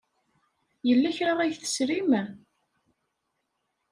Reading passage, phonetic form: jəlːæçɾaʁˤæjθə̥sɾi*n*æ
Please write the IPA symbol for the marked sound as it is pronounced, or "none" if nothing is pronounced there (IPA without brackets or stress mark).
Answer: m